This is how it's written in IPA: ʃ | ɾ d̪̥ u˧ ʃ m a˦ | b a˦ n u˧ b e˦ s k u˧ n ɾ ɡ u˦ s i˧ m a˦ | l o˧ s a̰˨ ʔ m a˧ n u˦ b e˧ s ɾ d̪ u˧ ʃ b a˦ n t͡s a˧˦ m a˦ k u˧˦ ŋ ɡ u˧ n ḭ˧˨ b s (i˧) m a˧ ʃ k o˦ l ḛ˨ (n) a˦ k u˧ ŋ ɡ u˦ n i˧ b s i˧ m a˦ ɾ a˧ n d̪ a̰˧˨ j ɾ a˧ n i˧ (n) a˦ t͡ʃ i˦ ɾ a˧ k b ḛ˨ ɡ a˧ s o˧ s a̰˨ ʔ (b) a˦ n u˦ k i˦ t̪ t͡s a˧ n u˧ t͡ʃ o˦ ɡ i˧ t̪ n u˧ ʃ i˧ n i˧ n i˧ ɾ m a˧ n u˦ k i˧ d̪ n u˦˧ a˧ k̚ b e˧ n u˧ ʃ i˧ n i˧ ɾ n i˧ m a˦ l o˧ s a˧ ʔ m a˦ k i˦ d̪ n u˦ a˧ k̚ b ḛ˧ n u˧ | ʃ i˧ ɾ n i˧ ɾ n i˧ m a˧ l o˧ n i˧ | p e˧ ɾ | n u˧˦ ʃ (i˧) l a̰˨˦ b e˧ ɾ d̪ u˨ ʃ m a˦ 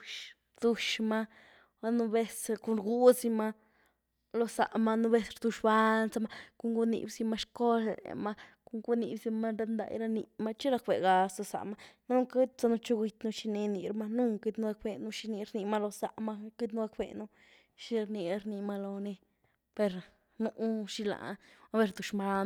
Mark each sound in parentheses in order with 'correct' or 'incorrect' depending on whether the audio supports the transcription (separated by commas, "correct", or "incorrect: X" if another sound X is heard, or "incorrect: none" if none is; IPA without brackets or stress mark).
correct, incorrect: m, incorrect: m, incorrect: m, correct